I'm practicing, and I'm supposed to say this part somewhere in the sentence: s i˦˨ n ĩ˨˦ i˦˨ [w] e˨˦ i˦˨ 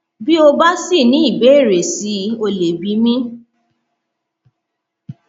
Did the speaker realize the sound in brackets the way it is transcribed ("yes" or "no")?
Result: no